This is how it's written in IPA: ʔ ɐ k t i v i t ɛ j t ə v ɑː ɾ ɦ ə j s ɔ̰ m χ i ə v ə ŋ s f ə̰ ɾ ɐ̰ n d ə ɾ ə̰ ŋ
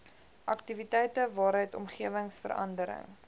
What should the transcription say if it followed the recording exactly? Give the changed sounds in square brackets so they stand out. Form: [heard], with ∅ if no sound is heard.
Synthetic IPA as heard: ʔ ɐ k t i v i t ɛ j t ə v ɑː ɾ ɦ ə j [t] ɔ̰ m χ i ə v ə ŋ s f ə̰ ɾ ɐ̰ n d ə ɾ ə̰ ŋ